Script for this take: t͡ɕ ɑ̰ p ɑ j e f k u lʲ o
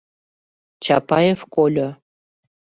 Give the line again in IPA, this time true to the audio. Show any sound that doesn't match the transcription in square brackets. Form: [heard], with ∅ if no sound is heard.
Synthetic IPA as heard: t͡ɕ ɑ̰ p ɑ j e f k [o] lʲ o